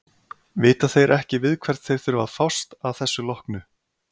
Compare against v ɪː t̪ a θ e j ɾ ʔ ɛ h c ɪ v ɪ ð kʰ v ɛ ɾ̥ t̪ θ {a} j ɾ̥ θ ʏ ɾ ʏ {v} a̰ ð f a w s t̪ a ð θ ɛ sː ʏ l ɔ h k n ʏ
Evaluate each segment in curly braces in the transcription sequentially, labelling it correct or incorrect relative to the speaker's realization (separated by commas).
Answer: incorrect, correct